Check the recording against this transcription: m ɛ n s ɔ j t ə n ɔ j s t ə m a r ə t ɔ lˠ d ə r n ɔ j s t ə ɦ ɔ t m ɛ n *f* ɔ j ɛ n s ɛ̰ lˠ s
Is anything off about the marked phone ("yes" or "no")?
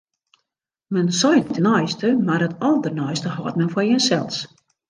no